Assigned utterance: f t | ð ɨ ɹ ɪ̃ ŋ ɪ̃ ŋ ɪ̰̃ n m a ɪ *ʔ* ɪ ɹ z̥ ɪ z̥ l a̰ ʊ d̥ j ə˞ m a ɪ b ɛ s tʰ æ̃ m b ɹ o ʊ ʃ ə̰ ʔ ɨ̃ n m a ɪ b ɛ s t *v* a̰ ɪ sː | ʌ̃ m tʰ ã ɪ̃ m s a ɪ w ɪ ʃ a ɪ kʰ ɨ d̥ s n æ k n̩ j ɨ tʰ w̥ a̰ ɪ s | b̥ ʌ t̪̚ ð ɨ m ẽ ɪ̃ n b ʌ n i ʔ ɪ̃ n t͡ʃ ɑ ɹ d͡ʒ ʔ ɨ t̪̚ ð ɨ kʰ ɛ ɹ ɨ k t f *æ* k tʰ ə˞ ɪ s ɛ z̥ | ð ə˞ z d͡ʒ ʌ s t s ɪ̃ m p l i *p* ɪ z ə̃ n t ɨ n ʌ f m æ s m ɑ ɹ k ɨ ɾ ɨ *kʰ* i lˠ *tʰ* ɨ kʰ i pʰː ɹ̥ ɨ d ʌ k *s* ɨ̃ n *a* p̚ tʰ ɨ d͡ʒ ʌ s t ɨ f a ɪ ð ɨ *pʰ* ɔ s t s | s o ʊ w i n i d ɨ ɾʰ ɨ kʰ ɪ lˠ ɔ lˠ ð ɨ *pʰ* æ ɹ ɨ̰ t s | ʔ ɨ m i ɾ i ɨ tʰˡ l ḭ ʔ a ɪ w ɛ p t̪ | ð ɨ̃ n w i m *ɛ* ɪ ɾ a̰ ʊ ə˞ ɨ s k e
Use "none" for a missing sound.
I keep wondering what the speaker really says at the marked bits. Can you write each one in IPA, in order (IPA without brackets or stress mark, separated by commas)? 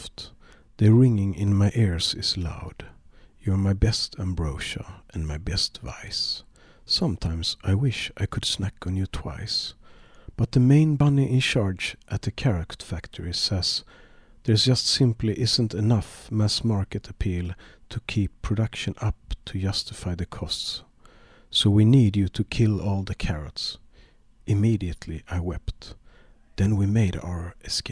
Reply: ʔ, v, æ, ʔ, pʰ, tʰ, ʃ, ʌ, kʰ, kʰ, e